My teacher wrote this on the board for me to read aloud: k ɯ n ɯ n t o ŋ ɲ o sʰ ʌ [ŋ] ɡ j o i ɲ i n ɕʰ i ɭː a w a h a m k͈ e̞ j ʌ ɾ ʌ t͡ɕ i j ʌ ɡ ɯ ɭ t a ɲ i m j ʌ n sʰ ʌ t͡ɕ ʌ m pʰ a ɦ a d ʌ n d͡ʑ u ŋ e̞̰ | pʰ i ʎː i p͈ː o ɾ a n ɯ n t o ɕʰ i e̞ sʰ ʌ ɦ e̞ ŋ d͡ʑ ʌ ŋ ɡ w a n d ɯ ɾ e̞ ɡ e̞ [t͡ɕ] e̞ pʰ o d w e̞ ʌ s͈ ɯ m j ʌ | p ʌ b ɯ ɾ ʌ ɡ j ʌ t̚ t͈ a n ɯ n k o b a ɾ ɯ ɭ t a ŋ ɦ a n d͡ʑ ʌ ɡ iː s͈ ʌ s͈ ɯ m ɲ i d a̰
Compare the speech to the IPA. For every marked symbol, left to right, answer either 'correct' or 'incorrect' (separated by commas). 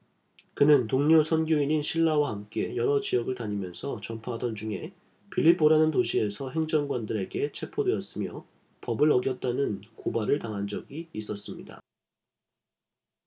incorrect, incorrect